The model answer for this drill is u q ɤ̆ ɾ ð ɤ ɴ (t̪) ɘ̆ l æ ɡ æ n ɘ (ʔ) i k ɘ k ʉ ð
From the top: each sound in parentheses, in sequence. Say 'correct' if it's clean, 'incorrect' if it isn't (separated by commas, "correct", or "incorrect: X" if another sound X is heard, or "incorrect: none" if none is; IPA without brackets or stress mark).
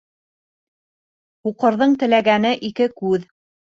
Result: correct, correct